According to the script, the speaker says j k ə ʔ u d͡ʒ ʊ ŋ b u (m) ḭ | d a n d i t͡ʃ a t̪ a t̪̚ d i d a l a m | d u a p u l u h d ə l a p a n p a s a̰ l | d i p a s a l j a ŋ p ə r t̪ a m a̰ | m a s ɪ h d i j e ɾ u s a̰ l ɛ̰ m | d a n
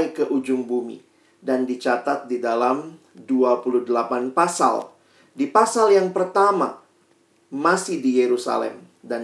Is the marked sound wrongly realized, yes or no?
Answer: no